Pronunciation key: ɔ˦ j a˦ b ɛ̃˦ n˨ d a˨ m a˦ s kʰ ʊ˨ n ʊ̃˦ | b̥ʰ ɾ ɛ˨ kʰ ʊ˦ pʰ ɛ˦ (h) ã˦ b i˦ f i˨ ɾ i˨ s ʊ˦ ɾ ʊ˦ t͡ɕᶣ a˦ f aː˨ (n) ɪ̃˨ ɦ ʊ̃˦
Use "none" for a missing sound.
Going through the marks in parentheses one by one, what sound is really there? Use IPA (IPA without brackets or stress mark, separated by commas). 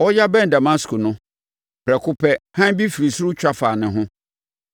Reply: h, n